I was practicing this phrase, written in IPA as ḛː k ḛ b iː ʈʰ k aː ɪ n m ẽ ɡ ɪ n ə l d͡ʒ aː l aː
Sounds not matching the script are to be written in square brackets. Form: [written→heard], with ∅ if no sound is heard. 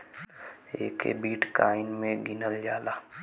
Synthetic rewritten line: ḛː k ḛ b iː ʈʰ k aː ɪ n m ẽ ɡ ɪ n ə l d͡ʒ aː l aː